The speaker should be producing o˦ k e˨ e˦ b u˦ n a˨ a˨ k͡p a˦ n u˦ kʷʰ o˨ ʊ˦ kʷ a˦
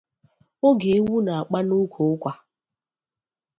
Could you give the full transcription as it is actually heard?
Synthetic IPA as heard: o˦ ɡ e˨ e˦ w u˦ n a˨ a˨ k͡p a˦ n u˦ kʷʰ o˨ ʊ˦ kʷ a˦